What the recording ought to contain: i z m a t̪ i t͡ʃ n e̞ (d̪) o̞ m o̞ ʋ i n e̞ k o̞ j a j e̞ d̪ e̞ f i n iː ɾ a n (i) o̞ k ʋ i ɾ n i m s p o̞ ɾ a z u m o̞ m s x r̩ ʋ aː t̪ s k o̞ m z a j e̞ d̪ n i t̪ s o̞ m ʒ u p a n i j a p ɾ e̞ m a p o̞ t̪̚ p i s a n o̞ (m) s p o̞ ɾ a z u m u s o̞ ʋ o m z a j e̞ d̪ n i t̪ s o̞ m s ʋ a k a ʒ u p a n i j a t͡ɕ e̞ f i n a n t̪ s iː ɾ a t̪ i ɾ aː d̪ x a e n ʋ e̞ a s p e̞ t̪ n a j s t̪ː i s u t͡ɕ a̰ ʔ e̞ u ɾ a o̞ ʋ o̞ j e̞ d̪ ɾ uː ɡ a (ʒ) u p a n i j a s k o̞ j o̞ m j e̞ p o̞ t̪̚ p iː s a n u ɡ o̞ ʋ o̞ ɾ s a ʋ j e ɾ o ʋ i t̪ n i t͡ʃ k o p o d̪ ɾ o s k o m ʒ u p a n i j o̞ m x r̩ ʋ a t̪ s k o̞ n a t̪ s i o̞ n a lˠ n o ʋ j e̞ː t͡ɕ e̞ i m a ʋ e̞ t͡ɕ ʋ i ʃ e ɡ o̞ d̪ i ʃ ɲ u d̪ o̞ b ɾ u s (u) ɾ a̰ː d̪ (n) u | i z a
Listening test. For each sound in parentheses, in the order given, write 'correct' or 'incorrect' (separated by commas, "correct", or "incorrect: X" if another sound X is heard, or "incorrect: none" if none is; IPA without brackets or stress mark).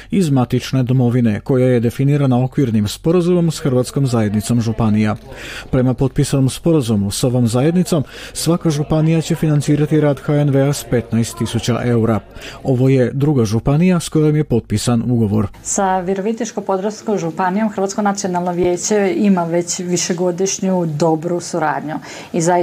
correct, incorrect: a, correct, correct, correct, incorrect: ɲ